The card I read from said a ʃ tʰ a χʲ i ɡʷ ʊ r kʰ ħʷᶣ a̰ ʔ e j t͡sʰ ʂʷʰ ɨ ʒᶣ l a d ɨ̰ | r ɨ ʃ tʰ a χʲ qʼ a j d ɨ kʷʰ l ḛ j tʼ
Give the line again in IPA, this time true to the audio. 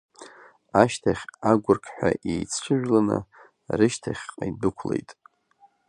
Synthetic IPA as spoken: a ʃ tʰ a χʲ a ɡʷ ʊ r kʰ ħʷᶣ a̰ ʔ e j t͡sʰ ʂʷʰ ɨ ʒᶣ l a n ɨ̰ | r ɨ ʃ tʰ a χʲ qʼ a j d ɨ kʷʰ l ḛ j tʼ